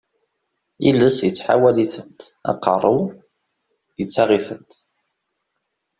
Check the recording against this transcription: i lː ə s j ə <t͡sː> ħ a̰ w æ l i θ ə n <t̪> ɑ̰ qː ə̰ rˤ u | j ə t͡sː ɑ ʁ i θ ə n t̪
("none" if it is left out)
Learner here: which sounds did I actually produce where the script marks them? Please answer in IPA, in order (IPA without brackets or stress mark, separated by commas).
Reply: t͡sː, t̪